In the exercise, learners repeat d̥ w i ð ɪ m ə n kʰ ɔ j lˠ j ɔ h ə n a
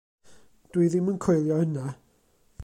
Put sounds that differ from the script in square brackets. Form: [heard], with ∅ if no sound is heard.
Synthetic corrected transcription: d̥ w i ð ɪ m ə n kʰ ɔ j lˠ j ɔ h ə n a